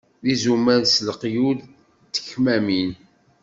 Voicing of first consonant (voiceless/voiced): voiced